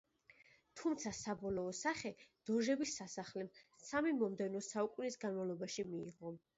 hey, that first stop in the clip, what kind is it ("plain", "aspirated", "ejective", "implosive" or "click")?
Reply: aspirated